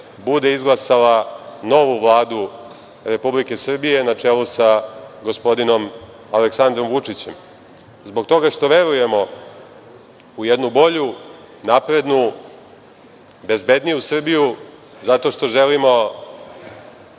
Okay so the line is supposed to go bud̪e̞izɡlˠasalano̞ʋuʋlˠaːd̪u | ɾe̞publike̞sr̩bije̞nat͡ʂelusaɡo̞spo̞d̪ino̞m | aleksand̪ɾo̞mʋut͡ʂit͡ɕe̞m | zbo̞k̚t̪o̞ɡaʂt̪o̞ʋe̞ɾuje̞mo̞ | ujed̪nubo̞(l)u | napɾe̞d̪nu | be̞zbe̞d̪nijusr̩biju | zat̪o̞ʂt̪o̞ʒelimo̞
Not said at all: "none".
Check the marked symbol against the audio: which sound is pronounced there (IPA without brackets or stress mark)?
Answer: ʎ